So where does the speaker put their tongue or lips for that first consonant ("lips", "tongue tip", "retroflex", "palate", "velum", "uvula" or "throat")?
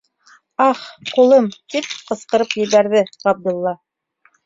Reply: uvula